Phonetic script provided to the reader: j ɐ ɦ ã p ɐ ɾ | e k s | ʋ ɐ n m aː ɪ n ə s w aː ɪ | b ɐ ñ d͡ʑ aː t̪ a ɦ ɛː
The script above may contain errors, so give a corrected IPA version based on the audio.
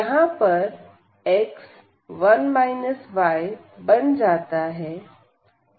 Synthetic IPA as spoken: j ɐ ɦ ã p ɐ ɾ | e k s | ʋ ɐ n m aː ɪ n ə s ʋ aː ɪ | b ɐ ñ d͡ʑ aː t̪ a ɦ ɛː